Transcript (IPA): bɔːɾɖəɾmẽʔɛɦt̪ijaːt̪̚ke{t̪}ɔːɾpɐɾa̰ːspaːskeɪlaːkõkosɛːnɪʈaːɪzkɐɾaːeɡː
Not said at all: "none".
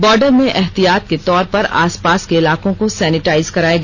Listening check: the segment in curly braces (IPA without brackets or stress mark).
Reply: t̪